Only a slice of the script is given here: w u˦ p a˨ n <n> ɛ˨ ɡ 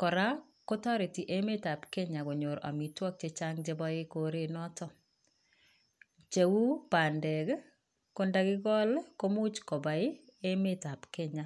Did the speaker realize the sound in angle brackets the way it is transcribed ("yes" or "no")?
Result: no